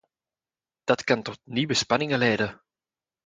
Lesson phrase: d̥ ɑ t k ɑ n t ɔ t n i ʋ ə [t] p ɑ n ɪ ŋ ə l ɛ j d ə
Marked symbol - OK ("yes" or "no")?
no